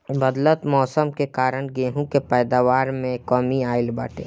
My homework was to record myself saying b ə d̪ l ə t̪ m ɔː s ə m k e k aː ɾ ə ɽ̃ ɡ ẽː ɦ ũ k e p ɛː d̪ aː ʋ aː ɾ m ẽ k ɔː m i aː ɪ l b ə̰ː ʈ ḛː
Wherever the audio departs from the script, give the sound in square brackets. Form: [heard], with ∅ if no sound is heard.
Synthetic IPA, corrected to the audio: b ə d̪ l ə t̪ m ɔː s ə m k e k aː ɾ ə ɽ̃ ɡ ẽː ɦ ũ k e p ɛː d̪ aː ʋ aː ɾ m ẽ k ɔː m i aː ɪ l b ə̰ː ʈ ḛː